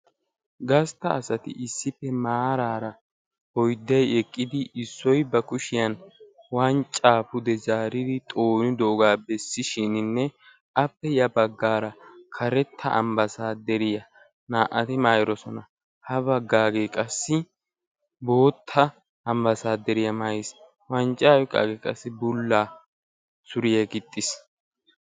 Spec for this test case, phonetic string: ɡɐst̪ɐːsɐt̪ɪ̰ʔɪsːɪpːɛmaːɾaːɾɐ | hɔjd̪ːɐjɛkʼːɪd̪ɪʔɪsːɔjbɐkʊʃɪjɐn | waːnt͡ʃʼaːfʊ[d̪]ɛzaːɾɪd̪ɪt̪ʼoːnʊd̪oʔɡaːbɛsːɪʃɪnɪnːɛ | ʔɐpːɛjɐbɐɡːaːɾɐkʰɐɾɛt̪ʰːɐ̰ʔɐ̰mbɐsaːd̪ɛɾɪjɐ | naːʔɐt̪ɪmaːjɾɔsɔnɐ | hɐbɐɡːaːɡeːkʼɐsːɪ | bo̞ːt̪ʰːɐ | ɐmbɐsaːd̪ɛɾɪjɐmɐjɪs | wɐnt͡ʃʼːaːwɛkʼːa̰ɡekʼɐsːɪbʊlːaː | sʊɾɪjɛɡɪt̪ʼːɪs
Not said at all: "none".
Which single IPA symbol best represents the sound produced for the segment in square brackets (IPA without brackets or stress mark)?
d̪